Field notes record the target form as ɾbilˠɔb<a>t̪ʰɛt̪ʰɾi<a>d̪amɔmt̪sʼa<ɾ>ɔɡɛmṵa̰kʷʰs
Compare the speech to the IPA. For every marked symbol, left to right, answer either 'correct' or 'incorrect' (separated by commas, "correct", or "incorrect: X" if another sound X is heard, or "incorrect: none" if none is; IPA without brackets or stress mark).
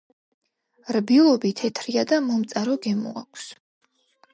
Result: incorrect: i, correct, correct